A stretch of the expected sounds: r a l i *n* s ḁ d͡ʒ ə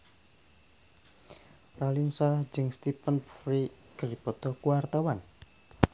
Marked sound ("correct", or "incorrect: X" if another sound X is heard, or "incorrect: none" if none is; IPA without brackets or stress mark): correct